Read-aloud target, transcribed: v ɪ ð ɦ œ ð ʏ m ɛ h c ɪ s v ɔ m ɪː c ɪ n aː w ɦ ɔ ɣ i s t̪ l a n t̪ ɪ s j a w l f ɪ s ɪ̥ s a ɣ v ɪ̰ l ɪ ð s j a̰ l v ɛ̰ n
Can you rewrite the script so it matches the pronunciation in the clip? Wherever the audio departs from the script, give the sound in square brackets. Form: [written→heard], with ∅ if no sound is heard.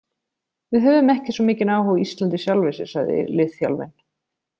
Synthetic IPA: v ɪ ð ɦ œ [ð→v] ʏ m ɛ h c ɪ s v ɔ m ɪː c ɪ n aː w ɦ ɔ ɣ i s t̪ l a n t̪ ɪ s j a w l [f→v] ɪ s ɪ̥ s a ɣ [v→ð] ɪ̰ l ɪ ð [s→f] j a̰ l v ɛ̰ n